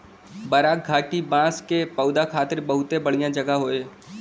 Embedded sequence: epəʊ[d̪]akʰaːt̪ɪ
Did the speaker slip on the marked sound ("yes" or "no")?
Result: no